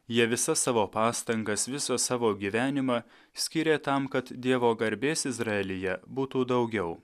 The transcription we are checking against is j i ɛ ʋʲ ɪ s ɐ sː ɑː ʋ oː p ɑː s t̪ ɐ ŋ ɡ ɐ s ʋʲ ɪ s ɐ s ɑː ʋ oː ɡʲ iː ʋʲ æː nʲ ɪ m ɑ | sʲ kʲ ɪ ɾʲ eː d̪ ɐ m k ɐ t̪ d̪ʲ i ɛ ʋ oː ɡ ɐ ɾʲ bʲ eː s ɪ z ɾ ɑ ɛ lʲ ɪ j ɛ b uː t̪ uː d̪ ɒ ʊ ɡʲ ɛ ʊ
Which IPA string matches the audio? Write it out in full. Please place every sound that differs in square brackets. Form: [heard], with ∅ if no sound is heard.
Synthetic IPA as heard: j i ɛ ʋʲ ɪ s ɐ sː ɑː ʋ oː p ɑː s t̪ ɐ ŋ ɡ ɐ s ʋʲ ɪ s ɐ s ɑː ʋ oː ɡʲ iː ʋʲ æː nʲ ɪ m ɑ | sʲ kʲ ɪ ɾʲ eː [t̪] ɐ m k ɐ t̪ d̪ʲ i ɛ ʋ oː ɡ ɐ ɾʲ bʲ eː s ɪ z ɾ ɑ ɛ lʲ ɪ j ɛ b uː t̪ uː d̪ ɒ ʊ ɡʲ ɛ ʊ